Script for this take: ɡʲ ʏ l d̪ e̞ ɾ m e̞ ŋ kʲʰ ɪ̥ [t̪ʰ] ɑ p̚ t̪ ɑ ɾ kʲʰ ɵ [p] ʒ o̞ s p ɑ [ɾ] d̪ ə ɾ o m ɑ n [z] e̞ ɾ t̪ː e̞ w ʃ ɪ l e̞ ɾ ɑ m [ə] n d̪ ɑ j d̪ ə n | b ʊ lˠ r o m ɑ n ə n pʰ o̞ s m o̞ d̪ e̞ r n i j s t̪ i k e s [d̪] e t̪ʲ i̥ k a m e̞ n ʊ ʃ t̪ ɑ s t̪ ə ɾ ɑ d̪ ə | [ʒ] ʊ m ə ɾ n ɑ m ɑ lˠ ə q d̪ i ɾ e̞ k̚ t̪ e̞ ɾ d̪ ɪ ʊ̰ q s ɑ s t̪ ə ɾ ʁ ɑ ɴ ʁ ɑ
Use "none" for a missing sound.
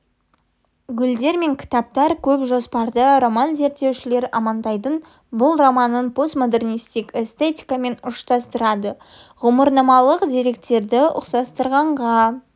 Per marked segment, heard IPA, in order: t̪, p, ɾ, z, ɑ, t̪, ʁ

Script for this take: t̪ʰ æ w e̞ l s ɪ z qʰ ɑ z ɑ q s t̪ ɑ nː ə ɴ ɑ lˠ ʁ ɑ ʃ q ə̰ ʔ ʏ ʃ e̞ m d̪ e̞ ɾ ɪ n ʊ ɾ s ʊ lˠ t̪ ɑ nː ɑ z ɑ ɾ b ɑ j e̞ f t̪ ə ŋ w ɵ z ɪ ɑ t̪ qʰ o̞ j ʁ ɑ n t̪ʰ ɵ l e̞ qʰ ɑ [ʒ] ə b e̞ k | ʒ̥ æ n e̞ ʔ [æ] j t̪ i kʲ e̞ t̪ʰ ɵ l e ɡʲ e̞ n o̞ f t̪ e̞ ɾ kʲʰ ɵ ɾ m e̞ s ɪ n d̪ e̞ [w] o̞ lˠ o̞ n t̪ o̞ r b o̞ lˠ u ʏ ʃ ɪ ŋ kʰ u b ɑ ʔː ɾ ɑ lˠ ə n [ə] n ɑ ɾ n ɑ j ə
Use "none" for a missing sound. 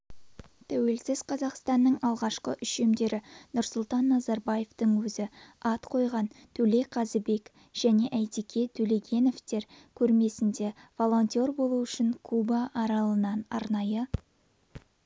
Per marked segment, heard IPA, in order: z, æ, v, ɑ

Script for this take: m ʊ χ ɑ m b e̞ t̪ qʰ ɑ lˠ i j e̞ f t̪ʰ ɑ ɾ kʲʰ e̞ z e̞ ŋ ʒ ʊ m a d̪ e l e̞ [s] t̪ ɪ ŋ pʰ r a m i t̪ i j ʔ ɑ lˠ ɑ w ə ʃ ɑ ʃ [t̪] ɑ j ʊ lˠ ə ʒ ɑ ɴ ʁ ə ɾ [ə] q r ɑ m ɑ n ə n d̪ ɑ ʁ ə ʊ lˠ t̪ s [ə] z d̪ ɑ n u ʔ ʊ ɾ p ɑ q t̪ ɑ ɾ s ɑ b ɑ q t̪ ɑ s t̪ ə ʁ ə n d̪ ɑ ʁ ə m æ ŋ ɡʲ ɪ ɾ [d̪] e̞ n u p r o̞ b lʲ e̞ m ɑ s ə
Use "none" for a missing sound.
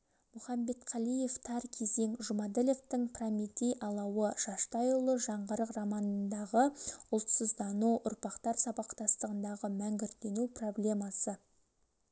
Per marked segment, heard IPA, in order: f, t̪, ə, ə, t̪

